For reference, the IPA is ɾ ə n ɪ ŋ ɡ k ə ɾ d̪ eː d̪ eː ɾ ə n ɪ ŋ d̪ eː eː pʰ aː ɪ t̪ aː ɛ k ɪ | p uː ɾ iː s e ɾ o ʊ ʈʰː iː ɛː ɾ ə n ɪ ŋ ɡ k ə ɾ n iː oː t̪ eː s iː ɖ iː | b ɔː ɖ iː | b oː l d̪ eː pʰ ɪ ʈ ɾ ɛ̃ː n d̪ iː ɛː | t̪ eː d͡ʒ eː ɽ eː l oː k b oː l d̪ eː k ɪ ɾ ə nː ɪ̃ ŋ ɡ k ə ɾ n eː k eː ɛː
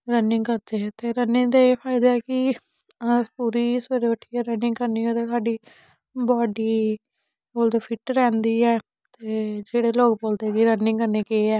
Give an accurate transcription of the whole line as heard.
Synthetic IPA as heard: ɾ ə n ɪ ŋ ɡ k ə ɾ d̪ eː t̪ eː ɾ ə n ɪ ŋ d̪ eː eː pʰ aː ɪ d̪ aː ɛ k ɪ | p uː ɾ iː s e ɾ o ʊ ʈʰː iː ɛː ɾ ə n ɪ ŋ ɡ k ə ɾ n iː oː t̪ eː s aː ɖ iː | b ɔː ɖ iː | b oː l d̪ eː pʰ ɪ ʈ ɾ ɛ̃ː n d̪ iː ɛː | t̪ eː d͡ʒ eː ɽ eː l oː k b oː l d̪ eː k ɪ ɾ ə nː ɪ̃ ŋ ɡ k ə ɾ n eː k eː ɛː